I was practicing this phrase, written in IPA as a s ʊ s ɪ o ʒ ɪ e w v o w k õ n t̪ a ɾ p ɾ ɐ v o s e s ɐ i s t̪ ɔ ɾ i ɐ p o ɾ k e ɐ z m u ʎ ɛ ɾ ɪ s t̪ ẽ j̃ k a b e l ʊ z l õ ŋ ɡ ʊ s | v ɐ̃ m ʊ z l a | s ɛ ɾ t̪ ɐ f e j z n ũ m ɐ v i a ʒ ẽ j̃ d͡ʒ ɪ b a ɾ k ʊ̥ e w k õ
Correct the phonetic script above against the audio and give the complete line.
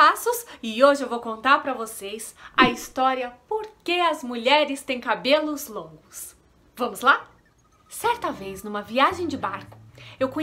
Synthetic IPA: a s ʊ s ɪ o ʒ ɪ e w v o w k õ n t̪ a ɾ p ɾ ɐ v o s e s ɐ i s t̪ ɔ ɾ i ɐ p o ɾ k e ɐ z m u ʎ ɛ ɾ ɪ s t̪ ẽ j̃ k a b e l ʊ z l õ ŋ ɡ ʊ s | v ɐ̃ m ʊ z l a | s ɛ ɾ t̪ ɐ v e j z n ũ m ɐ v i a ʒ ẽ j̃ d͡ʒ ɪ b a ɾ k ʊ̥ e w k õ